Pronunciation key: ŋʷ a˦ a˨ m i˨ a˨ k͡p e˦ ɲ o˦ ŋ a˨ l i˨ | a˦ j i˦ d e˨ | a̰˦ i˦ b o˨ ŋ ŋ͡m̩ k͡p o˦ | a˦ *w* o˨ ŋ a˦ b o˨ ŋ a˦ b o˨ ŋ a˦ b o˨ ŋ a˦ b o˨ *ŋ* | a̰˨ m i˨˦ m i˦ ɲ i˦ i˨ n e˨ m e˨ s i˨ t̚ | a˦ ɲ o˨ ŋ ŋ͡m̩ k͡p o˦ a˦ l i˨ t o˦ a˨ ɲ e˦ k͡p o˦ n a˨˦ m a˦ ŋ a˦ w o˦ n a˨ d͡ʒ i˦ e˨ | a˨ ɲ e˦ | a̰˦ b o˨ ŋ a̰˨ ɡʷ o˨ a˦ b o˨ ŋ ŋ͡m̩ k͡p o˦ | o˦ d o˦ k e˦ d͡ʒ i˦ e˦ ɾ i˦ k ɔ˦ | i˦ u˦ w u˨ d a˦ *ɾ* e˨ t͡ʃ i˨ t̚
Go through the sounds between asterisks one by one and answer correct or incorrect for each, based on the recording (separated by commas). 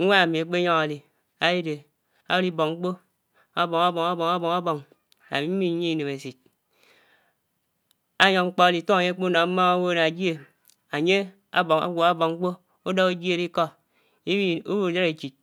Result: incorrect, correct, correct